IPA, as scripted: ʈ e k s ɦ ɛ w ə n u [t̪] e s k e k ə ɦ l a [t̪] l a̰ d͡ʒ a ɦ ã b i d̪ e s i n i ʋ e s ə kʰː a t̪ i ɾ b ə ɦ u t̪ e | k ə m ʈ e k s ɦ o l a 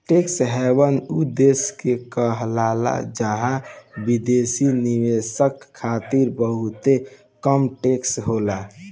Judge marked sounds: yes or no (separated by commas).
no, no